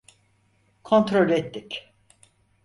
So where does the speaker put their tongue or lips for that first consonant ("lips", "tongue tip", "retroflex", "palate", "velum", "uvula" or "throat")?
velum